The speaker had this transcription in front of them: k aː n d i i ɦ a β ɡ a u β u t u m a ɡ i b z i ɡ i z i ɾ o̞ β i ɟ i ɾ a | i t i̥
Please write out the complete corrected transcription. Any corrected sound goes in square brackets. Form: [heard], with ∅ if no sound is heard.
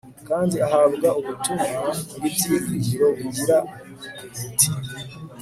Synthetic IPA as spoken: k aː n d i [a] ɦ a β ɡ a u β u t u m a ɡ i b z i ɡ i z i ɾ o̞ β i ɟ i ɾ a | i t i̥